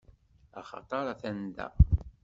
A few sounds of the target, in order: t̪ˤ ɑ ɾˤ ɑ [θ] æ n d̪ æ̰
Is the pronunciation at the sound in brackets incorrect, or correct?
correct